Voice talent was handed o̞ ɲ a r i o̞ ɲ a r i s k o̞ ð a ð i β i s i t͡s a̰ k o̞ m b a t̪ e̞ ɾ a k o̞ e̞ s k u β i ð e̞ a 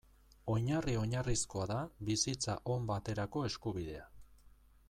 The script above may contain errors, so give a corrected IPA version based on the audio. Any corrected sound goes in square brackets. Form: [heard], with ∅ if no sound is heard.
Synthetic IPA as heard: o̞ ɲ a r i o̞ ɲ a r i s k o̞ [∅] a ð [a] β i s i t͡s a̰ [ʔ] o̞ m b a t̪ e̞ ɾ a k o̞ e̞ s k u β i ð e̞ a